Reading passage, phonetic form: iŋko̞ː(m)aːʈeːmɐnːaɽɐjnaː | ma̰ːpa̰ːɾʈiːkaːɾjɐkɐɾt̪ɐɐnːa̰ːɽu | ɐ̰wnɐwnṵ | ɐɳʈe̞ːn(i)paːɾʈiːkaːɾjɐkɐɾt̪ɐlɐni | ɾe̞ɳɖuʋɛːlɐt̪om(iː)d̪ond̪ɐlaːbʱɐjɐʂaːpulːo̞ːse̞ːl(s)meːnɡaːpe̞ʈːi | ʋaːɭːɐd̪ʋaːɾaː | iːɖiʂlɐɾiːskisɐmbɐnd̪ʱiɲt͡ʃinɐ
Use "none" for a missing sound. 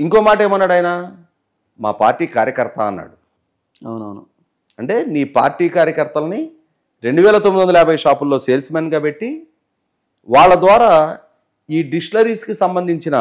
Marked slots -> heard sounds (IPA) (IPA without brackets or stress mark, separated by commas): m, iː, i, s